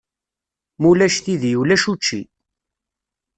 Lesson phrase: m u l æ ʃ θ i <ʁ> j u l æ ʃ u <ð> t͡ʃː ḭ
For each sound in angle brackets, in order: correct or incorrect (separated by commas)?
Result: incorrect, incorrect